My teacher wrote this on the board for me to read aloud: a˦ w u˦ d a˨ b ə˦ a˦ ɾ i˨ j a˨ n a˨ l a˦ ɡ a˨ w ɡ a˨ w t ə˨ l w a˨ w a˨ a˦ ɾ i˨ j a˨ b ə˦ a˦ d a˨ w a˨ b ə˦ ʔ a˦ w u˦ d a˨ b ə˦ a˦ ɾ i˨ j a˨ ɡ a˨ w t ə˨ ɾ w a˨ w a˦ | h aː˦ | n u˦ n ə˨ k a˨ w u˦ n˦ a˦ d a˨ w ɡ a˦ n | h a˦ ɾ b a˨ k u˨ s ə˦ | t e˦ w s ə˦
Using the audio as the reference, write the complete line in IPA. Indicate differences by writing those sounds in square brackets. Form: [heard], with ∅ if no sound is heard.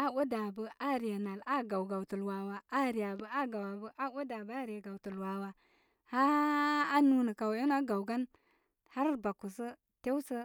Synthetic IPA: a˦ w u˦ d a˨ b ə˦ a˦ ɾ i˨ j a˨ n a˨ l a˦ ɡ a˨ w ɡ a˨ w t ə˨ l w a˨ w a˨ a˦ ɾ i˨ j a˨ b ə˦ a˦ [ɡ] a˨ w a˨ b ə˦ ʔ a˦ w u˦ d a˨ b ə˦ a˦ ɾ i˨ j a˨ ɡ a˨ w t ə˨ [l] w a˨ w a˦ | h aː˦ | n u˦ n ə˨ k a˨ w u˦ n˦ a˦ [ɡ] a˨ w ɡ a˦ n | h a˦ ɾ b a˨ k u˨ s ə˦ | t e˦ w s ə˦